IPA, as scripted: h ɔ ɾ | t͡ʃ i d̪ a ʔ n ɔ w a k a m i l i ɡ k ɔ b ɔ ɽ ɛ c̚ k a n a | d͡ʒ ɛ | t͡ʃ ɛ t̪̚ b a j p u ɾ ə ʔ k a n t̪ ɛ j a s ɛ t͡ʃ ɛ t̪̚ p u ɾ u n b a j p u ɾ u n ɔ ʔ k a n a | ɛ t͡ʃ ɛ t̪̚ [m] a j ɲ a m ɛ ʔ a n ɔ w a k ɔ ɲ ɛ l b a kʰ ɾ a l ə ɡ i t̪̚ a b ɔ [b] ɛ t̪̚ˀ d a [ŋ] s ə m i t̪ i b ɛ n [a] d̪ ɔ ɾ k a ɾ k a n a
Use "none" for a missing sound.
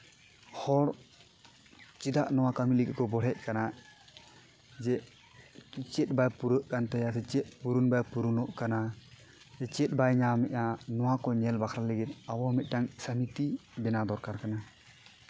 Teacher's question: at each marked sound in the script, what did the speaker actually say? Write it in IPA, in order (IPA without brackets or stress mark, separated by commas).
b, m, ŋ, a